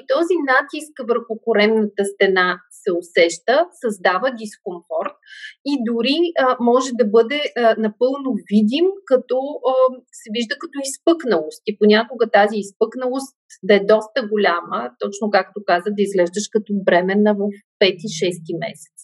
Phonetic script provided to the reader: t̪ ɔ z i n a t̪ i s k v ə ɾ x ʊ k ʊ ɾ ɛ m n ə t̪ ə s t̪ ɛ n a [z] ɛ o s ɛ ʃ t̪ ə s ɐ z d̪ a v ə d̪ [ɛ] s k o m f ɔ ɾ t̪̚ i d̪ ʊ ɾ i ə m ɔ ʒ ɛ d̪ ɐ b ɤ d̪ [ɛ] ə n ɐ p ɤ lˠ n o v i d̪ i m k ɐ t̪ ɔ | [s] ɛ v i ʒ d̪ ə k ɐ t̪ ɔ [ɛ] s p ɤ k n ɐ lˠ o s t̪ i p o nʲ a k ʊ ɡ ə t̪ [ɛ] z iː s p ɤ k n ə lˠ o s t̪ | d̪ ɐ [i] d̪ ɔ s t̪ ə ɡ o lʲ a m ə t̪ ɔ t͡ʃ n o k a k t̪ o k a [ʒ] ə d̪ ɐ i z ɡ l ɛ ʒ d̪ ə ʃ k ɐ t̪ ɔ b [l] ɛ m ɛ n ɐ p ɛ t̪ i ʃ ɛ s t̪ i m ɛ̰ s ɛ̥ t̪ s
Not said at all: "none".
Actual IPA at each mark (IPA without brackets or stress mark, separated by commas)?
s, i, ɛ, s, i, a, ɛ, z, ɾ